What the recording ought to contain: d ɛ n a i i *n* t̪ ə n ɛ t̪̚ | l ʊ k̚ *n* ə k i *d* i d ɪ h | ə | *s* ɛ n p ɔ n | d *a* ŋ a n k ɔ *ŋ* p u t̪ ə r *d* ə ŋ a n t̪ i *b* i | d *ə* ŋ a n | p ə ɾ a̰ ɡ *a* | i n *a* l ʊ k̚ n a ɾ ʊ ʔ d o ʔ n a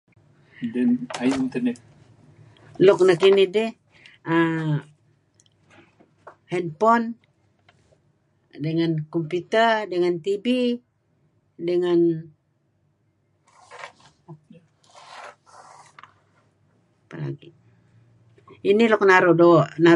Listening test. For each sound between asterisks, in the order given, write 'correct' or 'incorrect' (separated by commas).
correct, correct, incorrect, incorrect, incorrect, incorrect, correct, correct, correct, incorrect, incorrect